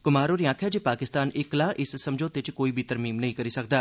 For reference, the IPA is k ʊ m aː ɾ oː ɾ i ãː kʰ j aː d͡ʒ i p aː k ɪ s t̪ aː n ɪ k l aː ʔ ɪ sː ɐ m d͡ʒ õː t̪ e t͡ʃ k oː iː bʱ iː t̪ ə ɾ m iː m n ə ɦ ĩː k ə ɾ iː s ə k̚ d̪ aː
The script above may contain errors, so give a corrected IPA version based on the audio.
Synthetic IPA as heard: k ʊ m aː ɾ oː ɾ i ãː kʰ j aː d͡ʒ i p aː k ɪ s t̪ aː n ɪ k l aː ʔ ɪ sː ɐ m d͡ʒ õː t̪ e t͡ʃ k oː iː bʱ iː t̪ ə ɾ m iː m n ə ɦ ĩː k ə ɾ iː s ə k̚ d̪ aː